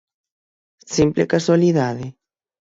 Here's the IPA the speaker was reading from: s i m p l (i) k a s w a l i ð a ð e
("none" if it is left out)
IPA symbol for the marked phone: e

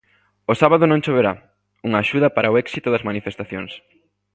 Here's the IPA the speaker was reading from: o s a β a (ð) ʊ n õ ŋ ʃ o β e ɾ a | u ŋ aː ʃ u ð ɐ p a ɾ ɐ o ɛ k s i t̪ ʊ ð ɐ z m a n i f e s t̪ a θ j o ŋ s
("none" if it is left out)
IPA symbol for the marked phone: ð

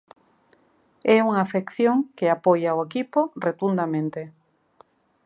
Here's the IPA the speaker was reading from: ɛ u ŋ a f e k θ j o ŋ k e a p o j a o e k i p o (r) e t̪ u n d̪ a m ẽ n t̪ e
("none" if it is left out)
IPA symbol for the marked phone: r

